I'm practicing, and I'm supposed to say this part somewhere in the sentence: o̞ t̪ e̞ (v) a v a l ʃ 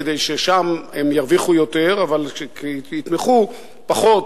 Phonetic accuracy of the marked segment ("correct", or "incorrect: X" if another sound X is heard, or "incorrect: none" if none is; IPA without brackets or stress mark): incorrect: ʁ